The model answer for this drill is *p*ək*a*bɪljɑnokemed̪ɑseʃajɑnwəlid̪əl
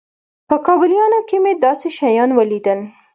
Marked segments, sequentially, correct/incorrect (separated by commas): correct, incorrect